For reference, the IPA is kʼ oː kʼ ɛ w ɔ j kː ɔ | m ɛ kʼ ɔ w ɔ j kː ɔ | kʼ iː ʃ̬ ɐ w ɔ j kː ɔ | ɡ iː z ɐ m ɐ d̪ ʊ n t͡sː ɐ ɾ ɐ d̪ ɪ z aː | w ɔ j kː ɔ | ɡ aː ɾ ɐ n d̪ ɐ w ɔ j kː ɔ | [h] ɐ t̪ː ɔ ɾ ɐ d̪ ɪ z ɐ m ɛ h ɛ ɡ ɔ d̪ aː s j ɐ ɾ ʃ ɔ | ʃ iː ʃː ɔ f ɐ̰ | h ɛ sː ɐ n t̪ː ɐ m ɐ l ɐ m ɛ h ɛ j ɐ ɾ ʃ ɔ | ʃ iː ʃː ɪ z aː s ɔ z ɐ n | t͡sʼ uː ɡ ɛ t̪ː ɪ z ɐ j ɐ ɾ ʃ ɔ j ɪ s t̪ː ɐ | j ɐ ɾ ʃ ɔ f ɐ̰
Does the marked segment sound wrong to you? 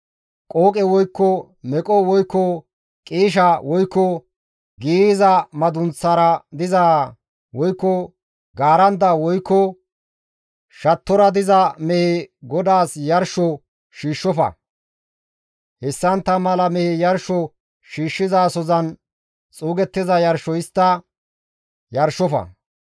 yes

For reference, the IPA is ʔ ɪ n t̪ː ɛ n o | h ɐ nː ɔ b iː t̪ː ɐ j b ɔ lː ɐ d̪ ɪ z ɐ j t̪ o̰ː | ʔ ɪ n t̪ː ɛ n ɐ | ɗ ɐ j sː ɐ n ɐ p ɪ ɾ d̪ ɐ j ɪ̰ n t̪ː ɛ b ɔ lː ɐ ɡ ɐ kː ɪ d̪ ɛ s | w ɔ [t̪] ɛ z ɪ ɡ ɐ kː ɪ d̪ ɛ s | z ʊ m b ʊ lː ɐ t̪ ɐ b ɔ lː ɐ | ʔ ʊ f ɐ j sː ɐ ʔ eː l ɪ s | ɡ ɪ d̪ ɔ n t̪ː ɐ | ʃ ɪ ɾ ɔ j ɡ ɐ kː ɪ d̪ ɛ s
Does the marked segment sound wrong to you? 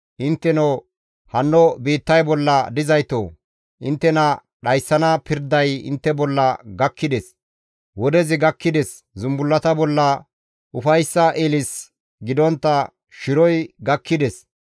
yes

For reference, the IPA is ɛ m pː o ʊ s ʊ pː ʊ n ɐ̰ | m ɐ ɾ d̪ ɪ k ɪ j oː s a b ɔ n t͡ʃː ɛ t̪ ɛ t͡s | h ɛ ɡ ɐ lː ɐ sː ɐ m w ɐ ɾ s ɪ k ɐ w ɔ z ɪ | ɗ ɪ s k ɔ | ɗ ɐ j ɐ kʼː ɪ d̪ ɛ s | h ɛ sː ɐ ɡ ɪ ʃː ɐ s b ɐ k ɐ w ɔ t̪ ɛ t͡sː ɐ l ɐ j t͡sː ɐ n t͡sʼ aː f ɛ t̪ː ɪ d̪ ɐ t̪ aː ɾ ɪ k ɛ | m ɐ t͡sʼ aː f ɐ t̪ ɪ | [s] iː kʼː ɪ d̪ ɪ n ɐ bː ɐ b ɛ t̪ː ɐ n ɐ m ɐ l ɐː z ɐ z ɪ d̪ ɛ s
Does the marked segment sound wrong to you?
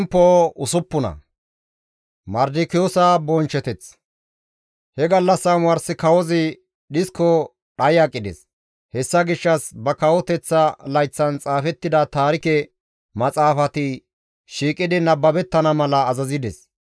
yes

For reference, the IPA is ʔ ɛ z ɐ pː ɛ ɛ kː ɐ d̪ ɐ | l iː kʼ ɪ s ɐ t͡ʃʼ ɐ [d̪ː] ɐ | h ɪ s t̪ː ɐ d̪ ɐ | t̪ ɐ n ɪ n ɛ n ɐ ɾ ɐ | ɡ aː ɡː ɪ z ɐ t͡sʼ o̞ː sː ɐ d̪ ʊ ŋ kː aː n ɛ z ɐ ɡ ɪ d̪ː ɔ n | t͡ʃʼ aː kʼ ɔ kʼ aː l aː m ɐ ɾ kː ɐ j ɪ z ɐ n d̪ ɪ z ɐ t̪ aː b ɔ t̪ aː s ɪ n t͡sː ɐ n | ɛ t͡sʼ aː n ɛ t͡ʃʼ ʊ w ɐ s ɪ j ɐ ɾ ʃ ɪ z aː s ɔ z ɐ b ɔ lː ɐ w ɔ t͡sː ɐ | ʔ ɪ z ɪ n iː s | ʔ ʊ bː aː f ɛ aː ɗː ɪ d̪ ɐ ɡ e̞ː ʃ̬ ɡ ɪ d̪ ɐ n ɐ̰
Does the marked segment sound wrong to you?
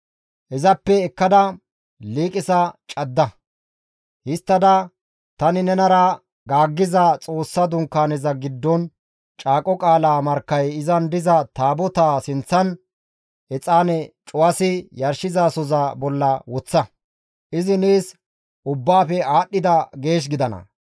no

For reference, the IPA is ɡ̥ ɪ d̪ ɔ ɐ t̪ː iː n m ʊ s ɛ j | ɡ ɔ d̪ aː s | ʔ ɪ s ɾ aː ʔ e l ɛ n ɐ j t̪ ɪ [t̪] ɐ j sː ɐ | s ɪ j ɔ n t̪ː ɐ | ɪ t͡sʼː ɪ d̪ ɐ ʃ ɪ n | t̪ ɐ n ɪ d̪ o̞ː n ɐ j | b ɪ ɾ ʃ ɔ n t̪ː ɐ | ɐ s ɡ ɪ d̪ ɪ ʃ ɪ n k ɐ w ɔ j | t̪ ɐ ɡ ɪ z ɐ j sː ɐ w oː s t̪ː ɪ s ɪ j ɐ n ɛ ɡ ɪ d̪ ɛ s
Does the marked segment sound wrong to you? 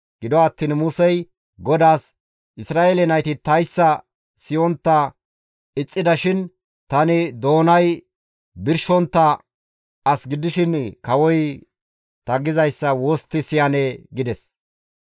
no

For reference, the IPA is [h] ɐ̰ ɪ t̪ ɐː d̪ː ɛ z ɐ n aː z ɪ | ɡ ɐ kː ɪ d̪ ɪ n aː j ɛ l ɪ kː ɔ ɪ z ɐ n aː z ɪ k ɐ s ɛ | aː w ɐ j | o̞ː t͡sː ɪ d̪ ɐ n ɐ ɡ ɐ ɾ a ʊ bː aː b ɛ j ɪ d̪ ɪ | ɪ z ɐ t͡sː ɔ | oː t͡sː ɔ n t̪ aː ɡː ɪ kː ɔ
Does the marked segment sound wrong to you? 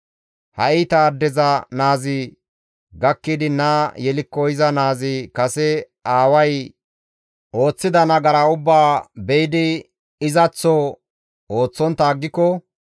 no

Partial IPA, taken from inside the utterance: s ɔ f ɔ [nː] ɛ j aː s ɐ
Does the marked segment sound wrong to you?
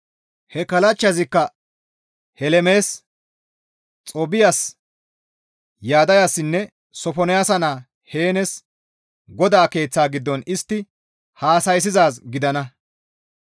yes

